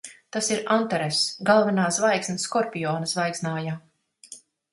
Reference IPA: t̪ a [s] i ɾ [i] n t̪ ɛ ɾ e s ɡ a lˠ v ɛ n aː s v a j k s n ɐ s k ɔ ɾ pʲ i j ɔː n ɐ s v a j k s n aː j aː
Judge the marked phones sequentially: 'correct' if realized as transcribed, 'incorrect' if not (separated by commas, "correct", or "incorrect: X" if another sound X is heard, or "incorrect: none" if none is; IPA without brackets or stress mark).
correct, incorrect: a